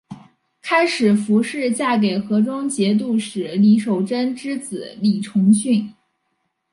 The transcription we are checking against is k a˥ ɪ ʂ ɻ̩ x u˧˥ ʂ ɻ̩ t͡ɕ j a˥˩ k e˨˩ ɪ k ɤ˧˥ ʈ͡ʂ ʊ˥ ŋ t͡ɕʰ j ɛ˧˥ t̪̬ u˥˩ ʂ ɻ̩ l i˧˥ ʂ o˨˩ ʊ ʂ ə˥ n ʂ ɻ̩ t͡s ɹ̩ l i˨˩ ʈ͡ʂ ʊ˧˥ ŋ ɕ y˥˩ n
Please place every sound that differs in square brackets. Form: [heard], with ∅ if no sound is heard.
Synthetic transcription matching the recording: [kʰ] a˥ ɪ ʂ ɻ̩ [f] u˧˥ ʂ ɻ̩ t͡ɕ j a˥˩ k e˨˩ ɪ [x] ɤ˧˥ ʈ͡ʂ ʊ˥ ŋ [t͡ɕ] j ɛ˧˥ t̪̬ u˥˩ ʂ ɻ̩ l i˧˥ ʂ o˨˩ ʊ [ʈ͡ʂ] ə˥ n [ʈ͡ʂ] ɻ̩ t͡s ɹ̩ l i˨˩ [ʈ͡ʂʰ] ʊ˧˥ ŋ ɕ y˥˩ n